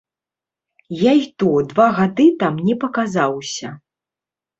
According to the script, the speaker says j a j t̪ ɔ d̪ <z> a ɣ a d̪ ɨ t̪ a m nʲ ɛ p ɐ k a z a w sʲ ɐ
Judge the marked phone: incorrect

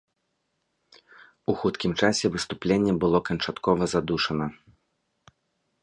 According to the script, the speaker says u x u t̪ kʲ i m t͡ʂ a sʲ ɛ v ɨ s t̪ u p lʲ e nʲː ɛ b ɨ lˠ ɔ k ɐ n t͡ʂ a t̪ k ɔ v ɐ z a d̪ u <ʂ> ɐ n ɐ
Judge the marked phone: correct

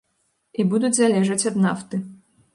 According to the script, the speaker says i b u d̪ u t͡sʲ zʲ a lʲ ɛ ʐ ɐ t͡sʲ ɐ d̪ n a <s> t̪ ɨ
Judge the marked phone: incorrect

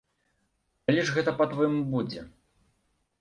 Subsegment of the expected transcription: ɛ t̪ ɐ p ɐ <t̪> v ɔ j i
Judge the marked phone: correct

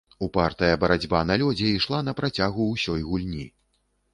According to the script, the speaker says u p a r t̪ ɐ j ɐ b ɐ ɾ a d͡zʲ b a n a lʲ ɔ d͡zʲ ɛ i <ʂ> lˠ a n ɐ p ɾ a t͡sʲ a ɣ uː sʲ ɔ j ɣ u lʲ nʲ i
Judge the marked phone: correct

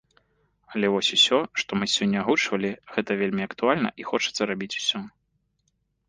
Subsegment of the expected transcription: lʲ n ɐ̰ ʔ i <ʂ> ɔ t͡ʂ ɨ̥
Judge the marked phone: incorrect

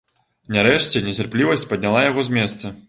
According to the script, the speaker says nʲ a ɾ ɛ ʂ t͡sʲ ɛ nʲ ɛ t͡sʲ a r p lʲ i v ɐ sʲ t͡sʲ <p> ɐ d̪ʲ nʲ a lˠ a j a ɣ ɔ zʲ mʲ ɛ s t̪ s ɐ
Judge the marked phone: correct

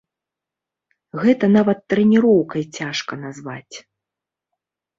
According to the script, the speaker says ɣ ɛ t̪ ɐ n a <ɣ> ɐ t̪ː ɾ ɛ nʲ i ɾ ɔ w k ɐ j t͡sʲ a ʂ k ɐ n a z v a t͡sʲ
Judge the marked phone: incorrect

